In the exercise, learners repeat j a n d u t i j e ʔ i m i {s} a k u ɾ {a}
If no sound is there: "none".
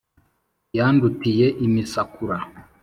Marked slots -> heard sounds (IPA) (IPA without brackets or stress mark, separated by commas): s, a